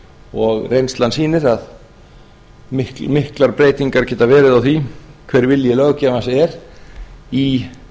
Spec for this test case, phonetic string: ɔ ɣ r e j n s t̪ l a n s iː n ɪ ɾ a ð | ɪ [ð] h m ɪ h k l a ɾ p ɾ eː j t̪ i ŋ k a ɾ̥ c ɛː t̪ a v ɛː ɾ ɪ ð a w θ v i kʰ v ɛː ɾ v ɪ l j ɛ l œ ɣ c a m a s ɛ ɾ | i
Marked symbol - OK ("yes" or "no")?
no